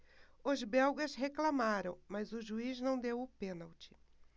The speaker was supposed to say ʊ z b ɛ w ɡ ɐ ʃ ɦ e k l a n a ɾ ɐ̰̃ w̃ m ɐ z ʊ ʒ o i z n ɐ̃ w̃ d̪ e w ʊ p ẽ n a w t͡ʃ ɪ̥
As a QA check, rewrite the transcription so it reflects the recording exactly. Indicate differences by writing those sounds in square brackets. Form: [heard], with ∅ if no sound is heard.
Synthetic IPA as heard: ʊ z b ɛ w ɡ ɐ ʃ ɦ e k l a [m] a ɾ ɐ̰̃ w̃ m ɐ z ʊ ʒ [u] i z n ɐ̃ w̃ d̪ e w ʊ p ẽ n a w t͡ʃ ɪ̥